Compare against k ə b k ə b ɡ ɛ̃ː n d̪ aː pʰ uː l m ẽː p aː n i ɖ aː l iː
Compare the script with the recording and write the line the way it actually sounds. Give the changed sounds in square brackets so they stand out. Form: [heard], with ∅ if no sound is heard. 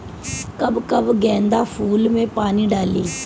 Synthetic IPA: k ə b k ə b ɡ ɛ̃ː n d̪ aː pʰ uː l m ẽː p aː n [iː] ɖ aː l iː